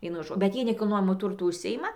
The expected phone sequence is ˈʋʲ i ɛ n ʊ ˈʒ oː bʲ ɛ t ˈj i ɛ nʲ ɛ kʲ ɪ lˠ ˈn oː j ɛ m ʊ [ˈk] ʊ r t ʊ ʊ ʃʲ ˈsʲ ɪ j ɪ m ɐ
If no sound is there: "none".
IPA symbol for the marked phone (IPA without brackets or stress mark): t